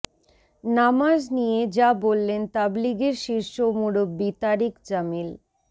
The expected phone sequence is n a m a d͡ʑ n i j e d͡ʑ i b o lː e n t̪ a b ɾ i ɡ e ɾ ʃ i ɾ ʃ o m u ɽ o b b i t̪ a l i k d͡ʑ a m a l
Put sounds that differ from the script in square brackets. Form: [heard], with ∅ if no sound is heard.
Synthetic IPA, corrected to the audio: n a m a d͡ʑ n i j e d͡ʑ [a] b o lː e n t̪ a b [l] i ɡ e ɾ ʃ i ɾ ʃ o m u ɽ o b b i t̪ a [ɾ] i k d͡ʑ a m [i] l